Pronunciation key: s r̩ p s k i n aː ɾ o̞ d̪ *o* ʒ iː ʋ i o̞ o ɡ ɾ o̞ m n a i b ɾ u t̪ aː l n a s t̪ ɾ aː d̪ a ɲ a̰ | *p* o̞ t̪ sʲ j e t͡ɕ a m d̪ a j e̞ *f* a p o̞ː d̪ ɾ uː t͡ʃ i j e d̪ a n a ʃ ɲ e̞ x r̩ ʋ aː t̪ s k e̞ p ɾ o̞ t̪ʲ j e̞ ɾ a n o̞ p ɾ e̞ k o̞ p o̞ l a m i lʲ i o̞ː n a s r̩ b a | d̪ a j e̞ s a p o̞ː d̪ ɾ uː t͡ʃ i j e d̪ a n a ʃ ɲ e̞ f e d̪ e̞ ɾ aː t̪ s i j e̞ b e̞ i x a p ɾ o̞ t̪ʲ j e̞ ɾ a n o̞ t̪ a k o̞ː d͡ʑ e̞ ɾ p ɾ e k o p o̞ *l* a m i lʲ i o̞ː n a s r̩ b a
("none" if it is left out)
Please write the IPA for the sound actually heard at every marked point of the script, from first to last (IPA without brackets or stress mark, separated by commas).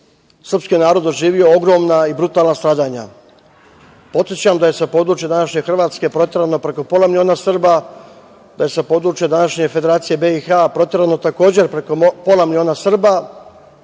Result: o, p, s, l